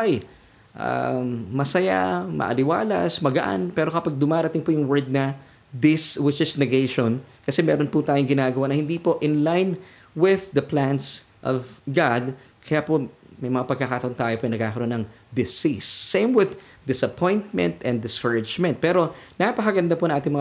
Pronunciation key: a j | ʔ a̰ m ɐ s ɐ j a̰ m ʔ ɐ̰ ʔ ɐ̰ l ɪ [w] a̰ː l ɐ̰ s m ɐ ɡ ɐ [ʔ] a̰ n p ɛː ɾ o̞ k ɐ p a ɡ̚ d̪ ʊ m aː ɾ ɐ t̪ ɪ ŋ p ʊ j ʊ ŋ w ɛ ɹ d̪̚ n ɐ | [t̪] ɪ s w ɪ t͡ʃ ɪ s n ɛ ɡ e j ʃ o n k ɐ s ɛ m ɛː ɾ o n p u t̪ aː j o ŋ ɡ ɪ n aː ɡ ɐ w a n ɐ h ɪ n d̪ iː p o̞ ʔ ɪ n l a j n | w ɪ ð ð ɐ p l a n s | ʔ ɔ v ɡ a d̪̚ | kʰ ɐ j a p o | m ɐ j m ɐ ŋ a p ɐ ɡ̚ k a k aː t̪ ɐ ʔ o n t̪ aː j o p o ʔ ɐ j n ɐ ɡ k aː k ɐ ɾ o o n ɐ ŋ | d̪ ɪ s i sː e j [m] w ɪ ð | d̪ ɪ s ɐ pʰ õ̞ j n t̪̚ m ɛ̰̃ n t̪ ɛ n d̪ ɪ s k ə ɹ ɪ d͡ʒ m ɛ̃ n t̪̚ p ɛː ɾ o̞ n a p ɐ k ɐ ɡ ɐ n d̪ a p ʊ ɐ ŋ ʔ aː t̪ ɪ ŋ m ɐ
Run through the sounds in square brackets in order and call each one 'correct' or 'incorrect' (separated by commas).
correct, correct, incorrect, correct